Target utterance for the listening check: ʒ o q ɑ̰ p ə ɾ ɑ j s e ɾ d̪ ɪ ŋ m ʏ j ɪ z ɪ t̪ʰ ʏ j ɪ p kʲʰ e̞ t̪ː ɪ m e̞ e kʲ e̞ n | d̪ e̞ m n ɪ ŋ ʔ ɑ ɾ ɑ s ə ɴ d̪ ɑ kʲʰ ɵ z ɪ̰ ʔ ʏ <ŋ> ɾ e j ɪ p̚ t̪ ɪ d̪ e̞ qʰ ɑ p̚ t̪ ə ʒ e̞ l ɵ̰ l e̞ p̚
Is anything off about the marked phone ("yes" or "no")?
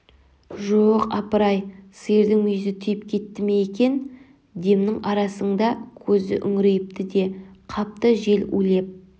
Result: no